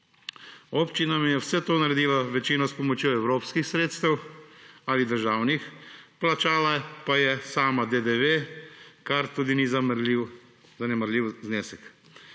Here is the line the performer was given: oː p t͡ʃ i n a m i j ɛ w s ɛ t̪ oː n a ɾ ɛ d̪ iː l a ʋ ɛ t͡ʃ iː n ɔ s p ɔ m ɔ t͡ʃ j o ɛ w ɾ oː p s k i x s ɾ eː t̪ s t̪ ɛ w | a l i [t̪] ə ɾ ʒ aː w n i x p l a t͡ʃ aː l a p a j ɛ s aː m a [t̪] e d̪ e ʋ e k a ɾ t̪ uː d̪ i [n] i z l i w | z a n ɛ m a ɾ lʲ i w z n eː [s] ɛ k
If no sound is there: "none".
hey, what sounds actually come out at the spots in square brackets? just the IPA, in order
d̪, d̪, n, s

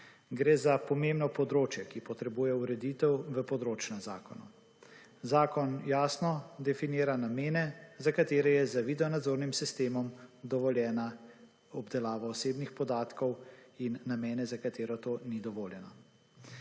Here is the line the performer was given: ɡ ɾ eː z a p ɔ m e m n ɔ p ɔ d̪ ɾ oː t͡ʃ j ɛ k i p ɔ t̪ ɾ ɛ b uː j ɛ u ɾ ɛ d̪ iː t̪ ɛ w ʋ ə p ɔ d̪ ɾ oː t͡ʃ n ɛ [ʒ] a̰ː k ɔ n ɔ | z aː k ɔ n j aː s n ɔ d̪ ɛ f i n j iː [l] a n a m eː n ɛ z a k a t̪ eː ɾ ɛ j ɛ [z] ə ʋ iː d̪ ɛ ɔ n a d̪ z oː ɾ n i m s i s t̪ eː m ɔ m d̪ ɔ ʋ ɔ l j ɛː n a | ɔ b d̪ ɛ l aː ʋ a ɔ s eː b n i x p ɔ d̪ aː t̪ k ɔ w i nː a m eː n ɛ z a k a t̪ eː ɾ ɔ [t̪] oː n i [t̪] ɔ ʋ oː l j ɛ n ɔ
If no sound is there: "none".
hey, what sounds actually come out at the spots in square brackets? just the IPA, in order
z, ɾ, z, t̪, d̪

